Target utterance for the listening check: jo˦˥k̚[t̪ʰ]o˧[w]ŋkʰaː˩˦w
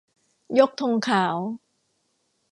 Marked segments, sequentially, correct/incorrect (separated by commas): correct, incorrect